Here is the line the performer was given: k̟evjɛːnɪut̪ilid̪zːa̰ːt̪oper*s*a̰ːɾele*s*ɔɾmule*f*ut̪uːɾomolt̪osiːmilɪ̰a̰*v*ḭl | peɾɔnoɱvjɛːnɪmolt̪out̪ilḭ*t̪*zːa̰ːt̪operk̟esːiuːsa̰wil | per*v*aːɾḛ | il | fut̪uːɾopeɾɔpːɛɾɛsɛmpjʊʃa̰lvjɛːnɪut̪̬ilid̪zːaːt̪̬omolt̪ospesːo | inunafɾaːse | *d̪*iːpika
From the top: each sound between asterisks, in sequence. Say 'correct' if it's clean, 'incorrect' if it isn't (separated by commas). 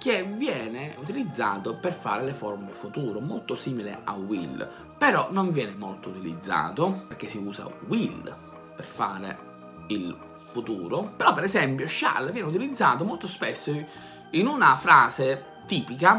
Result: incorrect, incorrect, correct, incorrect, incorrect, incorrect, incorrect